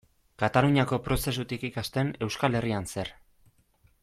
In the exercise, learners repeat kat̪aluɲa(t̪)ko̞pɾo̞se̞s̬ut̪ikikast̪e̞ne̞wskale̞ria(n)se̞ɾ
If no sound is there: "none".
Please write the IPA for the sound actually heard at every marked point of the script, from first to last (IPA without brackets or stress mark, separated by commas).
none, n